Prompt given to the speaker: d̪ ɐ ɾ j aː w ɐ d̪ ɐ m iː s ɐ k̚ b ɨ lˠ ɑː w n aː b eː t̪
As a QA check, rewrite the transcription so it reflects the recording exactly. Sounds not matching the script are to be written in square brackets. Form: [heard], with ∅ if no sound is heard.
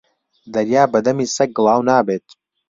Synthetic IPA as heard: d̪ ɐ ɾ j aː [b] ɐ d̪ ɐ m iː s ɐ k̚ [ɡ] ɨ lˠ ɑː w n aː b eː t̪